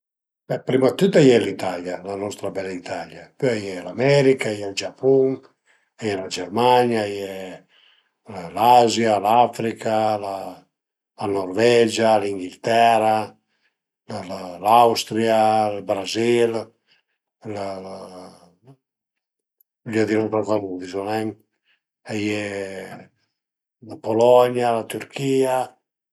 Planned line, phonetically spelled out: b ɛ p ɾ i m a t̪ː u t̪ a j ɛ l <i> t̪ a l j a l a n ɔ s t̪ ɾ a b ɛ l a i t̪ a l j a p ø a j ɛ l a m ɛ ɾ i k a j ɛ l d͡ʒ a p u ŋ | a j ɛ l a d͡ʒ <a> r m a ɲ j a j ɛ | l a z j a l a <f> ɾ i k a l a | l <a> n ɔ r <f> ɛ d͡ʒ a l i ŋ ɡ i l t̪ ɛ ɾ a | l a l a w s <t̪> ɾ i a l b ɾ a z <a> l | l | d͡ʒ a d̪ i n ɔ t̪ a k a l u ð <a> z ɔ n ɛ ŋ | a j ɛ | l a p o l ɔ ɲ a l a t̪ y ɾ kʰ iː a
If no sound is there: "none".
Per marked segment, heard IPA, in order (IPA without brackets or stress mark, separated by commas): i, ɛ, f, a, v, t̪, i, i